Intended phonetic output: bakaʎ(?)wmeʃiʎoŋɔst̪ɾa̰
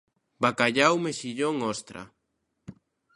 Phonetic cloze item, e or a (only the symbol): a